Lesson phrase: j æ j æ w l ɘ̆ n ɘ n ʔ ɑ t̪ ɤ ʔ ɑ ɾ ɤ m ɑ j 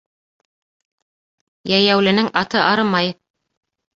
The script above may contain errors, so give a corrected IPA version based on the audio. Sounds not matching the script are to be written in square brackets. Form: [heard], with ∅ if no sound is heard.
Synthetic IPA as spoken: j æ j æ w l ɘ̆ n ɘ [ŋ] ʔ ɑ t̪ ɤ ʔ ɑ ɾ ɤ m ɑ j